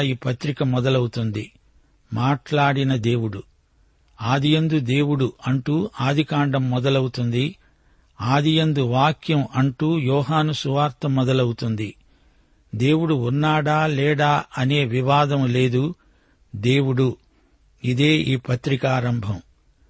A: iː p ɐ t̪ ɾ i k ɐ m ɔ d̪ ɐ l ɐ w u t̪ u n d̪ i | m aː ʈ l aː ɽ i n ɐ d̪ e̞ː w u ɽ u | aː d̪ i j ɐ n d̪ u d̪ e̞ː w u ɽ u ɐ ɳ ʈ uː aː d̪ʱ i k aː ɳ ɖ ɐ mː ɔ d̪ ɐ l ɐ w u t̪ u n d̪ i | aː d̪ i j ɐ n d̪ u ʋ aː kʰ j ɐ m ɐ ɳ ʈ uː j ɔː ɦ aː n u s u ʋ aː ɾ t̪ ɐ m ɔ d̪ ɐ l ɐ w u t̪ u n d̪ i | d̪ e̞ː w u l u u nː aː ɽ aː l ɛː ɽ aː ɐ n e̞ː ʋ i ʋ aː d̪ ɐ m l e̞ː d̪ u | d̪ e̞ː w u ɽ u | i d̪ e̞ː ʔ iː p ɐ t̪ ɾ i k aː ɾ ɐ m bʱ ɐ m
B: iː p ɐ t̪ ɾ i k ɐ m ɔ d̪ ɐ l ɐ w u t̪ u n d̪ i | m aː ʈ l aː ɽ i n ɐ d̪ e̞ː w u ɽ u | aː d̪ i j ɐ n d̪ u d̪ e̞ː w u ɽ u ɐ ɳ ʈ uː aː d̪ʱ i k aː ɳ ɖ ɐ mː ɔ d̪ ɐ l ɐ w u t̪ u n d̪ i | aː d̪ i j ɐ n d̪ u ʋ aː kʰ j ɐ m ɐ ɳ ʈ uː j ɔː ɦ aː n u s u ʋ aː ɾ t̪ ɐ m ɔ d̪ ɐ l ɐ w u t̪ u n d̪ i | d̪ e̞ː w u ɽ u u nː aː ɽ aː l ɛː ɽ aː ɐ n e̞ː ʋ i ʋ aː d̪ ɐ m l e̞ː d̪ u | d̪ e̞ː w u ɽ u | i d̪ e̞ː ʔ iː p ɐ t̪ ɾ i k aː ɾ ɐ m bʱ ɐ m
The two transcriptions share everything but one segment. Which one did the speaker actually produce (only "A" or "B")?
B